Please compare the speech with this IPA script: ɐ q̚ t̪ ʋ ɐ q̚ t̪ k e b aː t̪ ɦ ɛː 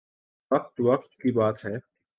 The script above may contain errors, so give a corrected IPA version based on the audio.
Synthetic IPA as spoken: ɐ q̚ t̪ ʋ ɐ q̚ t̪ k i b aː t̪ ɦ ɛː